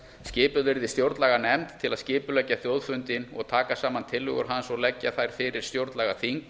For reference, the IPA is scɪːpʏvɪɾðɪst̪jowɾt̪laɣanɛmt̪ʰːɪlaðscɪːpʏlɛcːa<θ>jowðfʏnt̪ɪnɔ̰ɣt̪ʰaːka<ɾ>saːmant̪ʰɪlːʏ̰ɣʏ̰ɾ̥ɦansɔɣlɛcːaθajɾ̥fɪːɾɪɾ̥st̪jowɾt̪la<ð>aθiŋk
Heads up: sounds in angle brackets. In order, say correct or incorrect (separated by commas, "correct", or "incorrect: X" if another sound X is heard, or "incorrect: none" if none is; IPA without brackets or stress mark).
correct, incorrect: none, incorrect: ɣ